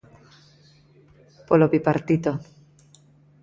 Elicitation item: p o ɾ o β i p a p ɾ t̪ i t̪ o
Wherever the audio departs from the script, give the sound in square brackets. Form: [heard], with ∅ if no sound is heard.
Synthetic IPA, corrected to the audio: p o [l] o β i p a [∅] ɾ t̪ i t̪ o